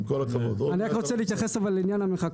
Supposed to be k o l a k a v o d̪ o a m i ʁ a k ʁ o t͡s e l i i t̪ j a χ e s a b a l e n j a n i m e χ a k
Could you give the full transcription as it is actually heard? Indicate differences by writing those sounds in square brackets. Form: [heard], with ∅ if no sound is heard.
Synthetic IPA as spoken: k o l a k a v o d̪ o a [n] i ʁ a k ʁ o t͡s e l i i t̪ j a χ e s a [v] a l [i] n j a n [a] m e χ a k